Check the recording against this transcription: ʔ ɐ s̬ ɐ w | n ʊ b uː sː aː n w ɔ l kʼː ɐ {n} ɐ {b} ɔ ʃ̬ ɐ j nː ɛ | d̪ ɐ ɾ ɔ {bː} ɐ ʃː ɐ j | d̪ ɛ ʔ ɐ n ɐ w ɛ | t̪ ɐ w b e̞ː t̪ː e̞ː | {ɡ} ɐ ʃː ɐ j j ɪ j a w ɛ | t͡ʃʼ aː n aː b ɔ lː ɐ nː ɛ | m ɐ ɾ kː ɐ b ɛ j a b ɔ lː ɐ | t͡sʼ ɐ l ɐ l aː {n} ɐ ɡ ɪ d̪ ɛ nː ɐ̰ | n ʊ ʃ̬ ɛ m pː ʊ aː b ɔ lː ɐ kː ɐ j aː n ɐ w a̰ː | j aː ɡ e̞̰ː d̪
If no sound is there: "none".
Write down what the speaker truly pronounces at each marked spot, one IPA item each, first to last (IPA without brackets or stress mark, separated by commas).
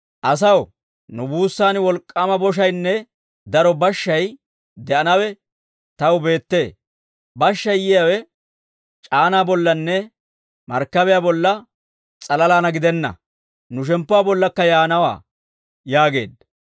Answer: m, b, b, b, n